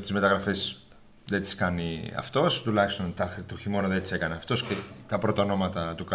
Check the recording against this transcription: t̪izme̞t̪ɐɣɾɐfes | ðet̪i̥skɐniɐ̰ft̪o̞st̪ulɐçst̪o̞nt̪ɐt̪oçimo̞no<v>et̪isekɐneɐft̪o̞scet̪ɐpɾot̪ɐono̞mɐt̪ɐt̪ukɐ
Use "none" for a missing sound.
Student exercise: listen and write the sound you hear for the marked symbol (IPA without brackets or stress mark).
ð